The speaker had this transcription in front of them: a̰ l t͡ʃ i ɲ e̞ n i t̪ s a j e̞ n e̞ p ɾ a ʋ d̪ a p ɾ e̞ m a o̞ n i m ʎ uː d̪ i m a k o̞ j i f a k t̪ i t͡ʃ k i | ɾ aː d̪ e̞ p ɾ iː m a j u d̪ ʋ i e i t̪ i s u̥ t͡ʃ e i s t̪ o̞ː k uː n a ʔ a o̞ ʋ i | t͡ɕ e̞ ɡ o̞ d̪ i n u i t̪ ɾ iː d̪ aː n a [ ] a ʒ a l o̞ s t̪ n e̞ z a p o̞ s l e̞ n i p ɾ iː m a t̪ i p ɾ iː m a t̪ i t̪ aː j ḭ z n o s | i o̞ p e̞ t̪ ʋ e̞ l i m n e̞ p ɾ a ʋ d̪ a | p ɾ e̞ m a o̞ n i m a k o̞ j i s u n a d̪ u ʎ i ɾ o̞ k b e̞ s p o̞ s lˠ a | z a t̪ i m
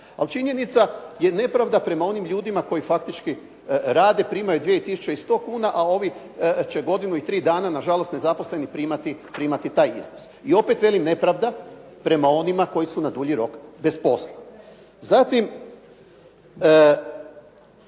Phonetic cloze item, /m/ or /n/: n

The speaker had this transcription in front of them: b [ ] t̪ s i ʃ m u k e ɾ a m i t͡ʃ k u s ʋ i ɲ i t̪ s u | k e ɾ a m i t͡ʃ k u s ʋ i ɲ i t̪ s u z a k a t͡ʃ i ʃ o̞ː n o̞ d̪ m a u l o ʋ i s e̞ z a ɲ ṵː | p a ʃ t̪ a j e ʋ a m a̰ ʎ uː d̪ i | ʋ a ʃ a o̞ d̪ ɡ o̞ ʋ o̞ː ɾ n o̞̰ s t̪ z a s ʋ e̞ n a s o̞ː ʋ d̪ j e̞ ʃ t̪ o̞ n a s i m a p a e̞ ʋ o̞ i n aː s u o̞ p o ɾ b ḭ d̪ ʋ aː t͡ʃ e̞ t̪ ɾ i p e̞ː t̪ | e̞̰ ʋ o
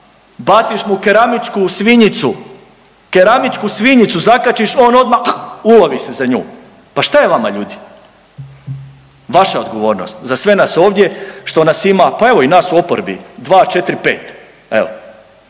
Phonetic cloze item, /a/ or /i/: a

